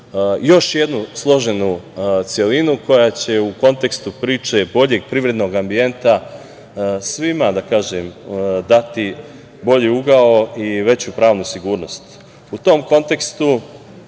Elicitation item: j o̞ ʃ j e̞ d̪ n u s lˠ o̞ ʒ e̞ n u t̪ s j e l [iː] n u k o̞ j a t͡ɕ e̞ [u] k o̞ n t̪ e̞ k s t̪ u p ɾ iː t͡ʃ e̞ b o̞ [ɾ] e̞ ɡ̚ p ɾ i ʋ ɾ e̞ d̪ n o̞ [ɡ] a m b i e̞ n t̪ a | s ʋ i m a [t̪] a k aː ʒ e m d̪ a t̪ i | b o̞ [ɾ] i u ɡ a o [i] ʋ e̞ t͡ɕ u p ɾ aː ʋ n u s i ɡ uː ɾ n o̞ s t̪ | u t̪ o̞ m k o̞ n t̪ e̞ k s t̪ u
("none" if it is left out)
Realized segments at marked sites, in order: i, u, ʎ, ɡ, d̪, ʎ, i

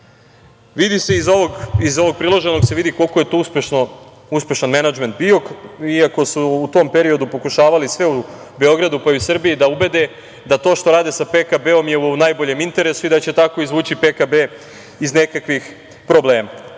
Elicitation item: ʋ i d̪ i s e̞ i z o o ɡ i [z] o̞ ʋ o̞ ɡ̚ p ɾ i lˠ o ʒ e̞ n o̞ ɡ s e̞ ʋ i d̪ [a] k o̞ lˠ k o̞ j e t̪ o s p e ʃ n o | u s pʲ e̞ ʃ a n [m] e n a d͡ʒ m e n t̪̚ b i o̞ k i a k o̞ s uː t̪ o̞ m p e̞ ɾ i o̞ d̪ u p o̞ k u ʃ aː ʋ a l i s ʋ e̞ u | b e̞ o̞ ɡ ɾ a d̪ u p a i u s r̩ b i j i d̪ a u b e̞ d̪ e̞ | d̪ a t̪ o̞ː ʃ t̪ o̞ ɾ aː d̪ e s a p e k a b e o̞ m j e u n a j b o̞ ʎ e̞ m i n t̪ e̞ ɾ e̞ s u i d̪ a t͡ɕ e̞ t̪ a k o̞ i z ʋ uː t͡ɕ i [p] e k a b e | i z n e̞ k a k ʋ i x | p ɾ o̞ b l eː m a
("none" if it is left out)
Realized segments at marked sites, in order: z, i, m, p

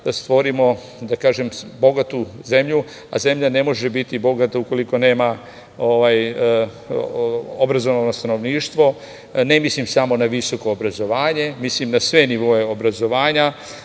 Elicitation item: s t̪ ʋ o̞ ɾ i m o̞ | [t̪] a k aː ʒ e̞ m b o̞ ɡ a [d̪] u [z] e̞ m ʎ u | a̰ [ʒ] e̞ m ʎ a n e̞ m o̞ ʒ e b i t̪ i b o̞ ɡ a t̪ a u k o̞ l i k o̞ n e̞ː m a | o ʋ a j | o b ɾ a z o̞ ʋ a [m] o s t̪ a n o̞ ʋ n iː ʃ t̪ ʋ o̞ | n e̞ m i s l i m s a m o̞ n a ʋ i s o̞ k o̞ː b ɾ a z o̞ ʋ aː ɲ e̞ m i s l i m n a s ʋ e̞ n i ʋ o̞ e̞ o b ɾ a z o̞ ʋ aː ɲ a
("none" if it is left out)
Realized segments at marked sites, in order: d̪, t̪, z, z, n

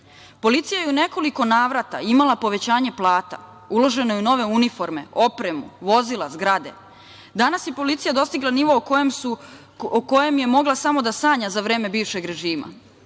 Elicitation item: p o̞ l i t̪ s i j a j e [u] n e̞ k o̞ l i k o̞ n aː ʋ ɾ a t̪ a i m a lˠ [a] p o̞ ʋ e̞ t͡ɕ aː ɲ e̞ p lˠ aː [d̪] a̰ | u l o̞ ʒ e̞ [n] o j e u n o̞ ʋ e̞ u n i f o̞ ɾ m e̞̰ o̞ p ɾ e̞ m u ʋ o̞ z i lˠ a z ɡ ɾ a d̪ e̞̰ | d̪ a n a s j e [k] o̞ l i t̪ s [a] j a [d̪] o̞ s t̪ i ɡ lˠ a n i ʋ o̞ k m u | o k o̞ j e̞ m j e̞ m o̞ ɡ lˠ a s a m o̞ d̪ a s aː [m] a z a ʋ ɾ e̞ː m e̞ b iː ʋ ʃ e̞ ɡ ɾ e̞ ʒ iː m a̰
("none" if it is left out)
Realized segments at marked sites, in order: u, a, t̪, n, p, i, d̪, ɲ

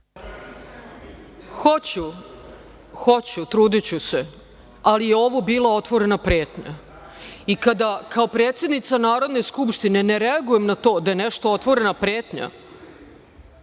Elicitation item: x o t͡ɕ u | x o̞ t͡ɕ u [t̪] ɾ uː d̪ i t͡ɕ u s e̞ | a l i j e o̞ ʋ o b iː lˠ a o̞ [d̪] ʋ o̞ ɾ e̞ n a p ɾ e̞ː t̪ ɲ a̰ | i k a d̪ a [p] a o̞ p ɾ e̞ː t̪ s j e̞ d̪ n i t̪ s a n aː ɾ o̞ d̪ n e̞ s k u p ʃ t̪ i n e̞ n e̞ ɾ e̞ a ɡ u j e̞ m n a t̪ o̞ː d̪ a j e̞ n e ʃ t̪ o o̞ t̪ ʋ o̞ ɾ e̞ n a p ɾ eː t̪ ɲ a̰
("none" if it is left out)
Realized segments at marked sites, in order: t̪, t̪, k

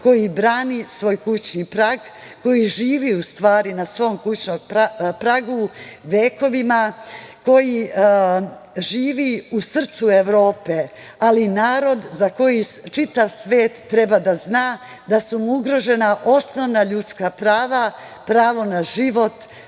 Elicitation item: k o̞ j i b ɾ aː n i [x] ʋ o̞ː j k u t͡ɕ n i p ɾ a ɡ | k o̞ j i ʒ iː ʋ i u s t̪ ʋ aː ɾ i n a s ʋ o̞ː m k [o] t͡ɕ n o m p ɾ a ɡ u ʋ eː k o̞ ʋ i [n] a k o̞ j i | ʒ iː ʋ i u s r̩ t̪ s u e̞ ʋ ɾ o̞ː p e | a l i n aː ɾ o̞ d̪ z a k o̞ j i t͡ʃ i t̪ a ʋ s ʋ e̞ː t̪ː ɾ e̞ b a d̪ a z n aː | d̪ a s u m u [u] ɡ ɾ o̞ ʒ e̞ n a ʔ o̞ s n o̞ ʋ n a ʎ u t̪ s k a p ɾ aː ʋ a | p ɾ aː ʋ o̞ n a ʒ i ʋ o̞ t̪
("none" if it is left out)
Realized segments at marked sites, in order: s, u, m, u

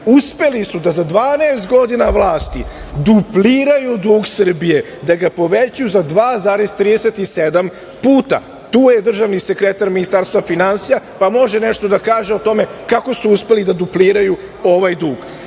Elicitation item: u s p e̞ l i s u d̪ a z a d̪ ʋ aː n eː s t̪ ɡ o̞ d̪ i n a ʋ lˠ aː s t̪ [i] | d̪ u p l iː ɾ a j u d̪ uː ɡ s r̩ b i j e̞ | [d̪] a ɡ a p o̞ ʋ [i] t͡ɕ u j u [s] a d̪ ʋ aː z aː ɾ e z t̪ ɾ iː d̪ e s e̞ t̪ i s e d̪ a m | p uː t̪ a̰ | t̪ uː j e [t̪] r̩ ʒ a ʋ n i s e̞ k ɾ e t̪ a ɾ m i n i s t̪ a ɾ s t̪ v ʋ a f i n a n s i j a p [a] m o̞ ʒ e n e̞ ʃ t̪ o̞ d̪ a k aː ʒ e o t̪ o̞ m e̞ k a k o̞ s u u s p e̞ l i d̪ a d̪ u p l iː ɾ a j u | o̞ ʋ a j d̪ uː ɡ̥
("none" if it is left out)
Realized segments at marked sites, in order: i, d̪, e, z, d̪, a

